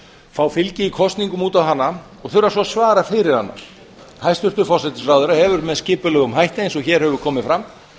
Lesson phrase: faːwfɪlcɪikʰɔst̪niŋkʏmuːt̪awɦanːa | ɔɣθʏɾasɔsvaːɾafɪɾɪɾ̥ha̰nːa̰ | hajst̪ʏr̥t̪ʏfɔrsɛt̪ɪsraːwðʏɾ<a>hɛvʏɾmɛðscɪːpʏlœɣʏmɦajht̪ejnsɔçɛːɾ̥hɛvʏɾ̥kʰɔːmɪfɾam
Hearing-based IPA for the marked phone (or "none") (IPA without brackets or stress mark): a